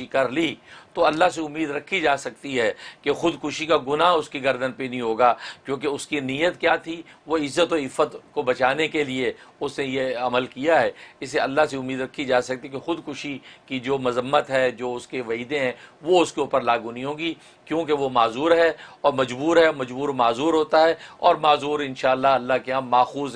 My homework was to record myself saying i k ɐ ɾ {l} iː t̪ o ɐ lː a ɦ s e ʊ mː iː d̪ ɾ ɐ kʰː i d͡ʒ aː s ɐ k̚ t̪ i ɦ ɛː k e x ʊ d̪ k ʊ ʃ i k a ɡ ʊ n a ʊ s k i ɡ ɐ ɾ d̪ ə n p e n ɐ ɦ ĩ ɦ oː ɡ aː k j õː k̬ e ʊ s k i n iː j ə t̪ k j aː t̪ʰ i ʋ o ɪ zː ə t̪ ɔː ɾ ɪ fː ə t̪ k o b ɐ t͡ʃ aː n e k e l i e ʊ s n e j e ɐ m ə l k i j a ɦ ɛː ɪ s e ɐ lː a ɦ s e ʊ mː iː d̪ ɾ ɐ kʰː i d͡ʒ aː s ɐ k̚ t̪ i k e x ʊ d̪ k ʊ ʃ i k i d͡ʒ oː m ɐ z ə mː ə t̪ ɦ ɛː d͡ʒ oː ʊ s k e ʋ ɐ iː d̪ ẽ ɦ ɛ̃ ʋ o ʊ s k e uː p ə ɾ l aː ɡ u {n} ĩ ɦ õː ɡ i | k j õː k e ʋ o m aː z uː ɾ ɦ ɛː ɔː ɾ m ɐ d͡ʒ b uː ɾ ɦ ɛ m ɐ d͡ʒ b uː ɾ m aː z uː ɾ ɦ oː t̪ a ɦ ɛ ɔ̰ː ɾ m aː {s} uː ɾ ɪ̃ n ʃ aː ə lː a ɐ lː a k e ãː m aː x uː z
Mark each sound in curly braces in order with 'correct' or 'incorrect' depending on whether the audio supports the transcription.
correct, correct, incorrect: z

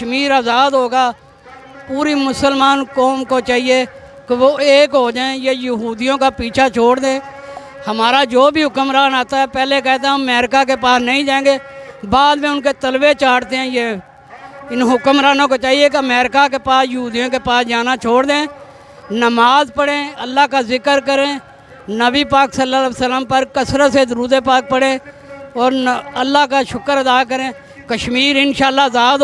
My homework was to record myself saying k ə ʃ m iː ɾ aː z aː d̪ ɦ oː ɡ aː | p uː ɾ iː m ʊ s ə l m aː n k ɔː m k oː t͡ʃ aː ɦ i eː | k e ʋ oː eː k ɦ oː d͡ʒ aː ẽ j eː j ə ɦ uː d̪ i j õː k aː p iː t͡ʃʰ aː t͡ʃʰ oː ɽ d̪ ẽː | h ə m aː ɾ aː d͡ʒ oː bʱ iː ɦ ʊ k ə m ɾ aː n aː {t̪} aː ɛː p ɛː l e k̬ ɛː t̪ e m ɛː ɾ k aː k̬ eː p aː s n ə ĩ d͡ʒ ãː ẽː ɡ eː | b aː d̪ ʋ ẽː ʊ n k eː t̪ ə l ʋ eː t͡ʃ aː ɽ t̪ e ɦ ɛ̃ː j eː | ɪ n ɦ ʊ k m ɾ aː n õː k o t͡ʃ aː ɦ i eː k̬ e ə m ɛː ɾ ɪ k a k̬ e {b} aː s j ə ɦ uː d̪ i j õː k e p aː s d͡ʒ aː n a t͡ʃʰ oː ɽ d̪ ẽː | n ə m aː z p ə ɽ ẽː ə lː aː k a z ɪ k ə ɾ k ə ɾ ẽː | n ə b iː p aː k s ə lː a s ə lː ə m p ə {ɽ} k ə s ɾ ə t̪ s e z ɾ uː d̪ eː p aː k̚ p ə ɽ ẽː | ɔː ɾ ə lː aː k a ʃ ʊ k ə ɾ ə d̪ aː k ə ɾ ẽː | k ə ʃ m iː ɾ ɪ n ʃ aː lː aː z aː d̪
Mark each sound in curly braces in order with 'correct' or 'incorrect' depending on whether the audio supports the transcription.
correct, incorrect: p, incorrect: ɾ

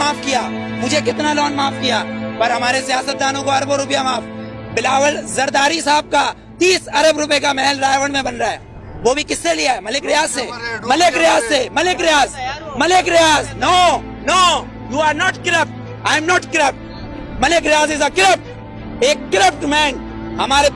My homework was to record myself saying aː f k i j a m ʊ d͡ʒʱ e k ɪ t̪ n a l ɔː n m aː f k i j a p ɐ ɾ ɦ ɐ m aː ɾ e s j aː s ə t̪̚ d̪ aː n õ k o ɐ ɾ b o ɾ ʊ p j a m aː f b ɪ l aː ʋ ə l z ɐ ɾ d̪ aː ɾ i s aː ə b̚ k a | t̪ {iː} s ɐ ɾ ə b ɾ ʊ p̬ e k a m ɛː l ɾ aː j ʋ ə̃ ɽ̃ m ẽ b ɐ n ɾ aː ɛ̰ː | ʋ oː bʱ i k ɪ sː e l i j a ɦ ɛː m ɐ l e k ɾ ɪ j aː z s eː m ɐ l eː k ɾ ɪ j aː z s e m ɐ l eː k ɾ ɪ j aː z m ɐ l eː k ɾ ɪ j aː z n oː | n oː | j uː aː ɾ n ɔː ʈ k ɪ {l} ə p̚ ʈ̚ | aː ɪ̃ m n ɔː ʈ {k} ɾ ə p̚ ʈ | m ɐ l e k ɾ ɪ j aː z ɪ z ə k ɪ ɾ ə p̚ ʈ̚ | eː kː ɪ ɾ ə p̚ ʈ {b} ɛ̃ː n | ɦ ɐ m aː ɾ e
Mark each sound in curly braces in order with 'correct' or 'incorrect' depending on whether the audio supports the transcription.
correct, incorrect: ɾ, correct, incorrect: m

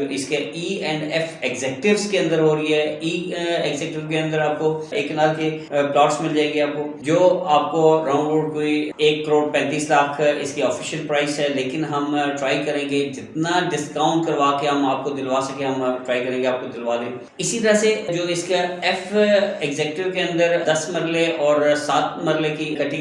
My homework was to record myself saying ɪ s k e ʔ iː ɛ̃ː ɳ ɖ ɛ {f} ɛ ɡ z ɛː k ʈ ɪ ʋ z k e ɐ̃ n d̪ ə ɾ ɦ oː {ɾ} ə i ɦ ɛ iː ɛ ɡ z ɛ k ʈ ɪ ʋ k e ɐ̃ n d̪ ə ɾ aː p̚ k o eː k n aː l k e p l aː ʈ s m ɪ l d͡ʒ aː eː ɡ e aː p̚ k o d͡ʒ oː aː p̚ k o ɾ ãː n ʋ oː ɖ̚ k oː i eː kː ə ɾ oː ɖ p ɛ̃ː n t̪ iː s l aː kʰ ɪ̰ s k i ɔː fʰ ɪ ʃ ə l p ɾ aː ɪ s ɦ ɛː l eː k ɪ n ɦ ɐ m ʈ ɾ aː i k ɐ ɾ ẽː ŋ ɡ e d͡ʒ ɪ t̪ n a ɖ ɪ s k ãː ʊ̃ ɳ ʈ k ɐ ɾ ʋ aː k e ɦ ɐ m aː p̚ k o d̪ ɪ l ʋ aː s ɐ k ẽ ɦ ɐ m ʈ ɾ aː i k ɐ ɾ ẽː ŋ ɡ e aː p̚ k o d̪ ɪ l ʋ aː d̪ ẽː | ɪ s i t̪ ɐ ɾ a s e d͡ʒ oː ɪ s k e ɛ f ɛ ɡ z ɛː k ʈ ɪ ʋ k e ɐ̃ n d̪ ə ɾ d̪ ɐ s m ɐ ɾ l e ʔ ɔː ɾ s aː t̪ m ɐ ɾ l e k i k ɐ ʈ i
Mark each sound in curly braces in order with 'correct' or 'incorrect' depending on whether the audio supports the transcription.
correct, correct

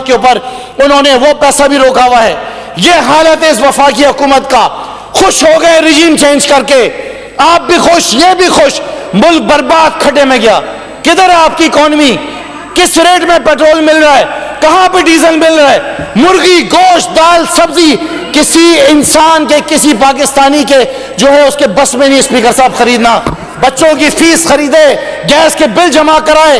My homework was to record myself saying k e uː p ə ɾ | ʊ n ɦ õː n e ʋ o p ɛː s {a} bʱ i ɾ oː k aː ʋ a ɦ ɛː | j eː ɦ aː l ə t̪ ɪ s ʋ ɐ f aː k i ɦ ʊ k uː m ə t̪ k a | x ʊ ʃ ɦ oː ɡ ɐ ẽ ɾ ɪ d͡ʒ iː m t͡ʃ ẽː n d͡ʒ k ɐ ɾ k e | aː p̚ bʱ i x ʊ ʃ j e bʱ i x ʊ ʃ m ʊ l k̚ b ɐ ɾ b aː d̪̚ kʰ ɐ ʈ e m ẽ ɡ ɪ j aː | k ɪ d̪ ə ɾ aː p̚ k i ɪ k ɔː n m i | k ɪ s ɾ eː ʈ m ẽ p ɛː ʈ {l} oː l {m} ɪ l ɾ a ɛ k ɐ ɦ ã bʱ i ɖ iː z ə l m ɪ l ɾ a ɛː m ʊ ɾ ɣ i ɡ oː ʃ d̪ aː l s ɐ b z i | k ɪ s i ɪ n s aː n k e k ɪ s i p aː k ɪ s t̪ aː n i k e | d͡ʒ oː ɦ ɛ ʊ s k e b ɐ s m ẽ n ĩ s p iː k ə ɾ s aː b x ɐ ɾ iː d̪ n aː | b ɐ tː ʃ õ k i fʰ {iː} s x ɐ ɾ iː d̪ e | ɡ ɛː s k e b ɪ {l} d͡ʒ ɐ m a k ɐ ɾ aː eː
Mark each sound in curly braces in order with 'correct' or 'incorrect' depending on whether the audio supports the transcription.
correct, incorrect: ɾ, correct, correct, correct

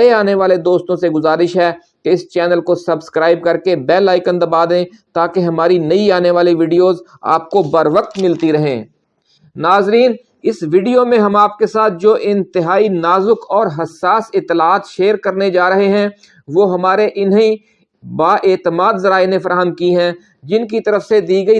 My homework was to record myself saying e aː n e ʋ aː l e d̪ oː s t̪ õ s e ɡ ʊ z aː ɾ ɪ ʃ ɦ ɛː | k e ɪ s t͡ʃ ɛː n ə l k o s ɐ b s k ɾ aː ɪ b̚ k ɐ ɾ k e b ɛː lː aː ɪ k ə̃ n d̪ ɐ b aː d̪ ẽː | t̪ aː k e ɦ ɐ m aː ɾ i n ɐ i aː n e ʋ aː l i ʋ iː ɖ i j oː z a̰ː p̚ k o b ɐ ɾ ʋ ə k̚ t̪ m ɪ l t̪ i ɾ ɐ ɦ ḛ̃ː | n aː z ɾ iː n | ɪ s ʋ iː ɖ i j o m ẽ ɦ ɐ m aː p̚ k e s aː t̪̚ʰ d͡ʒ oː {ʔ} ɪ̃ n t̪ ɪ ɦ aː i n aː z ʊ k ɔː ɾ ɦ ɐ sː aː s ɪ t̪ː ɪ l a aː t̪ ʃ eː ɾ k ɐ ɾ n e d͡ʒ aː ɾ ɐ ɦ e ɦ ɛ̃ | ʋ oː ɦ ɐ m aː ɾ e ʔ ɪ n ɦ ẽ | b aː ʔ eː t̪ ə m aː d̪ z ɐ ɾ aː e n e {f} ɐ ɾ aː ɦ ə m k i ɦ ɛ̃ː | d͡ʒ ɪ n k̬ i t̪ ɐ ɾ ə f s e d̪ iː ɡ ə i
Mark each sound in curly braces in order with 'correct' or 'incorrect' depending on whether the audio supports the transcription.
correct, correct

